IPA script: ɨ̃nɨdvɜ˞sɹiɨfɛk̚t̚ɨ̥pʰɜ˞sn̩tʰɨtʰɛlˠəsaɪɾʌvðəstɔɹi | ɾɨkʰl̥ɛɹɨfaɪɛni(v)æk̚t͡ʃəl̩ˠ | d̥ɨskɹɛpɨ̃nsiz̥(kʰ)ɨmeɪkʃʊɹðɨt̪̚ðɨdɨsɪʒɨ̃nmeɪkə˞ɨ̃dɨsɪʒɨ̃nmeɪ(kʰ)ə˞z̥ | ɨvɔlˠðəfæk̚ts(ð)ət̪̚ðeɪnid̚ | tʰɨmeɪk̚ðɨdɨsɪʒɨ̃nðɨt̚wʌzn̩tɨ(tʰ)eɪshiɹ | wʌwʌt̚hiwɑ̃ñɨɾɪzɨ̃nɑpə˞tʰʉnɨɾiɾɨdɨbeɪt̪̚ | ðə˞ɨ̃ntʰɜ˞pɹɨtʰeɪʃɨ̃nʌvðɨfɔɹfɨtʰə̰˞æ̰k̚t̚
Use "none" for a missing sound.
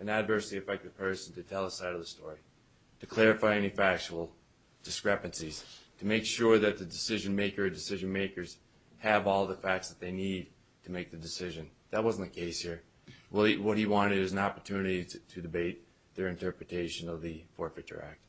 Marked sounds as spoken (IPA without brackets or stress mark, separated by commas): f, tʰ, k, ð, kʰ